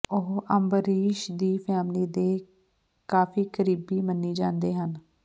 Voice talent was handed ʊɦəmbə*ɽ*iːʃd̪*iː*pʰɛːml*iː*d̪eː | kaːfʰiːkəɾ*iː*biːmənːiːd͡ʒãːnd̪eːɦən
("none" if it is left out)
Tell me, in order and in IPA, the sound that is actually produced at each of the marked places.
ɾ, iː, iː, iː

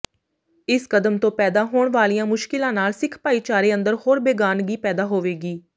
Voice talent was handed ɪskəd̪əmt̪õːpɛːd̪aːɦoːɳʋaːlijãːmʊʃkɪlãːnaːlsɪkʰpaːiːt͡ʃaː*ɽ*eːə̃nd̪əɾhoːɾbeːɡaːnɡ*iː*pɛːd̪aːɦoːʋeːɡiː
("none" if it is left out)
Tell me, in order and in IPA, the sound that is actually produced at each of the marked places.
ɾ, iː

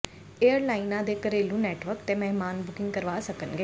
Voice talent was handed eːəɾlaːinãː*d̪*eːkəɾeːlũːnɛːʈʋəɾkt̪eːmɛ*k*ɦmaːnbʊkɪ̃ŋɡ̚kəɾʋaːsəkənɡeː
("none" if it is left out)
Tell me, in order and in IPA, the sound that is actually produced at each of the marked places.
d̪, none

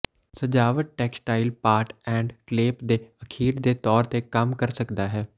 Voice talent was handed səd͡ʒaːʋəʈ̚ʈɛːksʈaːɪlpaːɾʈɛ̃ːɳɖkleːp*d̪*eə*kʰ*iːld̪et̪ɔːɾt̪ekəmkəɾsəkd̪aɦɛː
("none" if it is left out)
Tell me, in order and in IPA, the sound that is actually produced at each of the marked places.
d̪, kʰ

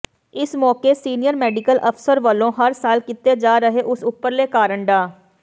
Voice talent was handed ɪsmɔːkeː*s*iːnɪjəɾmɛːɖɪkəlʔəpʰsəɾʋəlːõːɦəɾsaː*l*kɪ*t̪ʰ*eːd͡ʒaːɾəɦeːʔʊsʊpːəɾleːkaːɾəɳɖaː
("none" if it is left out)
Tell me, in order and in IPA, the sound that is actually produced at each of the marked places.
s, l, t̪

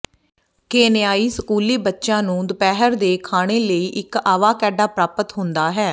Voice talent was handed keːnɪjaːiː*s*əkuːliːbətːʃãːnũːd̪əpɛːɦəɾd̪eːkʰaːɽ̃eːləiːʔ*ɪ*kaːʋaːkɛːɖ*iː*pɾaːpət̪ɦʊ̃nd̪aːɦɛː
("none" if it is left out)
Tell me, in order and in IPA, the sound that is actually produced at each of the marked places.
s, ɪ, aː

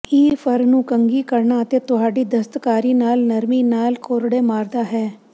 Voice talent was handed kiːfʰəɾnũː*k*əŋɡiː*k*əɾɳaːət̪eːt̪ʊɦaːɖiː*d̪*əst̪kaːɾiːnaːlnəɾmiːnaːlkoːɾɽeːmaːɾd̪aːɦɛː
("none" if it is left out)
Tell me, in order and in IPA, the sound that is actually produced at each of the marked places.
k, k, d̪

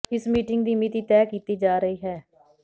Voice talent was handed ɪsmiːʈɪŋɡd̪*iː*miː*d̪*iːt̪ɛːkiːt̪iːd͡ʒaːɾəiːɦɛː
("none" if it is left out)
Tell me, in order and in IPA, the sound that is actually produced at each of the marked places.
iː, t̪

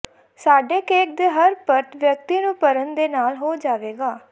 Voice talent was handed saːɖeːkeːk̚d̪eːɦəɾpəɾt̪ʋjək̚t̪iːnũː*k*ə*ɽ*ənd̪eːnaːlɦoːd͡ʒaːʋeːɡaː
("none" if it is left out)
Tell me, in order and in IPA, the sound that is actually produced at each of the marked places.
p, ɾ

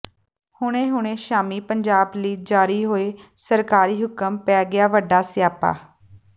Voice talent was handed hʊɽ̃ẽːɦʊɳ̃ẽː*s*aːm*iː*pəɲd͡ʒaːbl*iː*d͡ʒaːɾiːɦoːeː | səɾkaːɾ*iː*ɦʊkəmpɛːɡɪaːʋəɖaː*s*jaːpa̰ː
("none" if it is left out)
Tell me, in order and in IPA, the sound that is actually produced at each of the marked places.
ʃ, iː, iː, iː, s

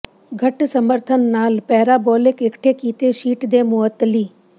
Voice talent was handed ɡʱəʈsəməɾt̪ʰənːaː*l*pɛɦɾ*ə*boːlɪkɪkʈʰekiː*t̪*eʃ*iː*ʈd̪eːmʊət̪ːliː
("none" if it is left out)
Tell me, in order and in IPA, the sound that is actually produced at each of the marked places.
l, a, t̪, iː

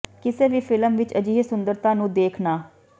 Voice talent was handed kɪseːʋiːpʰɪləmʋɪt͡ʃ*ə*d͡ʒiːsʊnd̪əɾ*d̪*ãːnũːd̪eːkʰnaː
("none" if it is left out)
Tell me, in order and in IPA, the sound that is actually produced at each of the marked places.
ə, t̪

